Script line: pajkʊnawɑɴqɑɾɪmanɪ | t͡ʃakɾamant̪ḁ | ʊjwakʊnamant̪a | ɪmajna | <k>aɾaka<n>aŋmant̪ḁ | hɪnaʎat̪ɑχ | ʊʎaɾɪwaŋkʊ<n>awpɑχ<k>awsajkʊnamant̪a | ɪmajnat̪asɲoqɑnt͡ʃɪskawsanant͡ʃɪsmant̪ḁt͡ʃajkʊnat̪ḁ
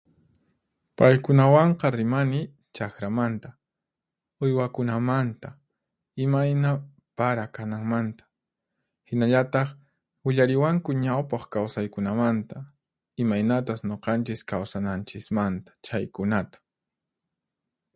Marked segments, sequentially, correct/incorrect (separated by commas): incorrect, correct, incorrect, correct